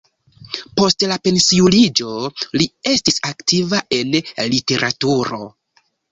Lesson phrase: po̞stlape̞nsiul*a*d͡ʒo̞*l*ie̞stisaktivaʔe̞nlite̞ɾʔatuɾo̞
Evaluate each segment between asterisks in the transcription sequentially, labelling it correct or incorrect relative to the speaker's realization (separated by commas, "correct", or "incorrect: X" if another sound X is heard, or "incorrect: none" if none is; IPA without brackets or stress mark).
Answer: incorrect: i, correct